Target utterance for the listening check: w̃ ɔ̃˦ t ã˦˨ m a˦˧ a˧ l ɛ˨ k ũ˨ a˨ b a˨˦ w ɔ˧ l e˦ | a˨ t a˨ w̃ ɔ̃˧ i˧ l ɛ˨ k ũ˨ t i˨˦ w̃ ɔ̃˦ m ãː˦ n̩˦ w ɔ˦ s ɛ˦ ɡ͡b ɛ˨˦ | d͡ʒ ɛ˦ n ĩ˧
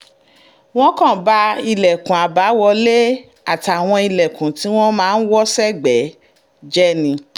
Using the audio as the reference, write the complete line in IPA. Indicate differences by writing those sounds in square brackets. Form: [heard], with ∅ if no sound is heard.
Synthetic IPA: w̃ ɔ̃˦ [k] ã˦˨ [b] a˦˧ [i˧] l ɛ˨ k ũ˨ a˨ b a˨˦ w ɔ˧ l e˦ | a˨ t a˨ w̃ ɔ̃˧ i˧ l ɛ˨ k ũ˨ t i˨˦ w̃ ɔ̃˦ m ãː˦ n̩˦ w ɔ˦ s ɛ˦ ɡ͡b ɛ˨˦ | d͡ʒ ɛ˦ n ĩ˧